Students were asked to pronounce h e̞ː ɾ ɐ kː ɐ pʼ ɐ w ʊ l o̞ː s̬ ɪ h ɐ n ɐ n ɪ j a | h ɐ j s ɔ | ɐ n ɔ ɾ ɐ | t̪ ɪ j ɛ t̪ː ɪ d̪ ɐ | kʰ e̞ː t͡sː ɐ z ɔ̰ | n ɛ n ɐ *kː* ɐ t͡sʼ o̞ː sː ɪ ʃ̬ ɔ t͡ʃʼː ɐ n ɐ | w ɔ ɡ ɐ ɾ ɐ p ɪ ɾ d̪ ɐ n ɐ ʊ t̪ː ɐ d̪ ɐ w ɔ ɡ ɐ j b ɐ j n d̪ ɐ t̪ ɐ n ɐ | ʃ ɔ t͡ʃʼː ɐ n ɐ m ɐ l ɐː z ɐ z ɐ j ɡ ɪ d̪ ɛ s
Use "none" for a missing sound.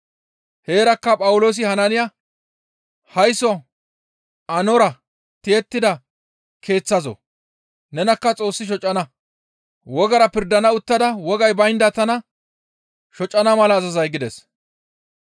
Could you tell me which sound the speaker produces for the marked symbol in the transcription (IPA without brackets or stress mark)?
kː